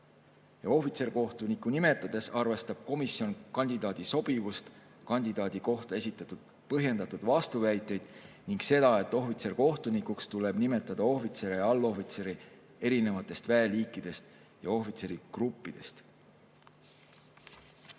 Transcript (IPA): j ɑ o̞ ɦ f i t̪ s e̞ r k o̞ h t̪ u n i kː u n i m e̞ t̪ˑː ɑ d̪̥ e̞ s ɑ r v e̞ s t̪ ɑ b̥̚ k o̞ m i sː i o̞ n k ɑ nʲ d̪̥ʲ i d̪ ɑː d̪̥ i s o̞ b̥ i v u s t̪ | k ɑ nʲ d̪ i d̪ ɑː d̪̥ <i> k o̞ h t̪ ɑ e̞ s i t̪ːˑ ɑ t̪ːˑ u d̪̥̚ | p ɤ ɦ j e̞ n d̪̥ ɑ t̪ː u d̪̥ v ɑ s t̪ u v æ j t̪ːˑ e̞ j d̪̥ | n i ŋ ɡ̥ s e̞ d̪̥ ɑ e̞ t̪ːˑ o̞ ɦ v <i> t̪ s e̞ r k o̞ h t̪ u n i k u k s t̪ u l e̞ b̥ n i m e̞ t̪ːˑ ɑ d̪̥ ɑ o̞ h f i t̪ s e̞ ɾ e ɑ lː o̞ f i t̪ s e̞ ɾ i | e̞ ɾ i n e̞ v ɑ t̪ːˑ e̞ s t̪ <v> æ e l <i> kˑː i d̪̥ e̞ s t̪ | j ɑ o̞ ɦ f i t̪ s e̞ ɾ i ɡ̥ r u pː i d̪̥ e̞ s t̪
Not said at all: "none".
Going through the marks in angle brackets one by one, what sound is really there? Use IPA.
i, i, v, iː

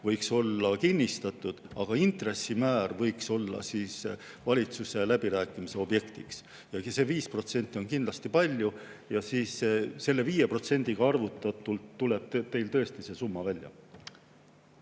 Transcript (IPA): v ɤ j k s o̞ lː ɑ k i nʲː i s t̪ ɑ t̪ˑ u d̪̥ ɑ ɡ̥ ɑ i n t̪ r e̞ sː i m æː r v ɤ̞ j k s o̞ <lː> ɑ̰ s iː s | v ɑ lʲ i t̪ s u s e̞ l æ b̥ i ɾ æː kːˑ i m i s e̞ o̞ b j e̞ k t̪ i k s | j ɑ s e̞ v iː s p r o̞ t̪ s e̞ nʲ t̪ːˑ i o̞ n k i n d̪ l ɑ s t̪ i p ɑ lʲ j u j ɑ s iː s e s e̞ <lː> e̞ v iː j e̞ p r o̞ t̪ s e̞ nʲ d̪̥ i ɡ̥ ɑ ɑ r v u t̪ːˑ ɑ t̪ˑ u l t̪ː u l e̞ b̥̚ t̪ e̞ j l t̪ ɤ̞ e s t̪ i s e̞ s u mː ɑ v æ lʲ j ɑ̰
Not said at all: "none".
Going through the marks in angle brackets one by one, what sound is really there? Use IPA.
lː, lː

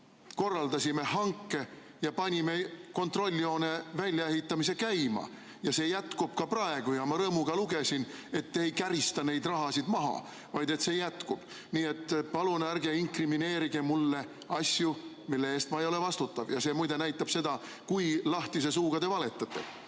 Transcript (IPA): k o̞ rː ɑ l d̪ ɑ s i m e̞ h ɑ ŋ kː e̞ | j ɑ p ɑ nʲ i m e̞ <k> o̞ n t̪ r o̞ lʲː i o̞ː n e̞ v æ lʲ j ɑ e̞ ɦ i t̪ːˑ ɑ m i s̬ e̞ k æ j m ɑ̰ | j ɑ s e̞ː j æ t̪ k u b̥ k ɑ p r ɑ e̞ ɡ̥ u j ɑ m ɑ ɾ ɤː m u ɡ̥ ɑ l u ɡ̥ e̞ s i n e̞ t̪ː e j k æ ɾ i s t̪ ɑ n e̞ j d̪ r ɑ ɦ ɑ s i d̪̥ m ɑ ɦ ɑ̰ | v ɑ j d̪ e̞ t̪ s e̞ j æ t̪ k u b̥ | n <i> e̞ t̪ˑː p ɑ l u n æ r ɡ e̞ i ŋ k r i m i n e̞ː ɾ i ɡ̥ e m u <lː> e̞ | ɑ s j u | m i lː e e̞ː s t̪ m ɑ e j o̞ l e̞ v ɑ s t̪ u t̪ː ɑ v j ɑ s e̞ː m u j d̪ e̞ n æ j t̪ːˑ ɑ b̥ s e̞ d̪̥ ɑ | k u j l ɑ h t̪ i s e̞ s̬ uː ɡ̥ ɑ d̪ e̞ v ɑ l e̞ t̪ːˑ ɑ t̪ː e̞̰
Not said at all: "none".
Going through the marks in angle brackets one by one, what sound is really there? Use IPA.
k, iː, lː

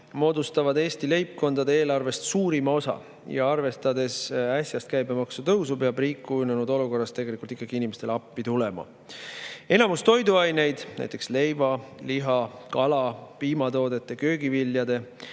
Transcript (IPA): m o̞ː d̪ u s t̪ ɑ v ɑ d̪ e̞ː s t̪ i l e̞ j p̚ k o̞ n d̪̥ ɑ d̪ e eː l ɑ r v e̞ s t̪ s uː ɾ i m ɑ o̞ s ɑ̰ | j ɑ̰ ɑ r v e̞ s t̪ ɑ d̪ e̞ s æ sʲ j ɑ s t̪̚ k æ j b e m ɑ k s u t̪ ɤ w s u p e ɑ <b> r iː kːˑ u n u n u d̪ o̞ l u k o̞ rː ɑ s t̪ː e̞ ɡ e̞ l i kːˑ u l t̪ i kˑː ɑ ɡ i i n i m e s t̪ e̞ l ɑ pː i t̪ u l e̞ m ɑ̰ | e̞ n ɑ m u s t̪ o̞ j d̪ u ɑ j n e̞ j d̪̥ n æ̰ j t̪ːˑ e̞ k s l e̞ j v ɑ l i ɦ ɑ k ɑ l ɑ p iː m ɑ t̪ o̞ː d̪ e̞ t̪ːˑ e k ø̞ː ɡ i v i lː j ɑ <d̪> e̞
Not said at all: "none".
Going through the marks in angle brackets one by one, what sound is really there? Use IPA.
b, d̪

